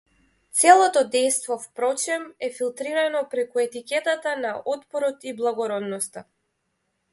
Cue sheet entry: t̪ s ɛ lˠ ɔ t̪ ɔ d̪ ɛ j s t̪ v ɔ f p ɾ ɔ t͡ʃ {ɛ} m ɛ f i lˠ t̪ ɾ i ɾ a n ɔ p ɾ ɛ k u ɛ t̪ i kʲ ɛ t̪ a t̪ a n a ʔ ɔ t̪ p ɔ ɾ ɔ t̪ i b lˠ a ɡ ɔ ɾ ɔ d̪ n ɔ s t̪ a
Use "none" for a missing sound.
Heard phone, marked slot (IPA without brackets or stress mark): ɛ